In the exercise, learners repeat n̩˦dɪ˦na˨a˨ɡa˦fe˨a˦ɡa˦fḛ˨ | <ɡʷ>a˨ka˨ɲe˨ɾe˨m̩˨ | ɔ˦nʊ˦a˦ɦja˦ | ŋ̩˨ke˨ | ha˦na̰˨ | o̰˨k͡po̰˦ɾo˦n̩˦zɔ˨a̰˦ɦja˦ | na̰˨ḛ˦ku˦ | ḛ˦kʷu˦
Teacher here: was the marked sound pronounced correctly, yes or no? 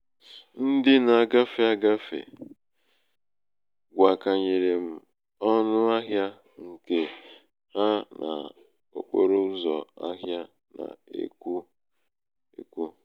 yes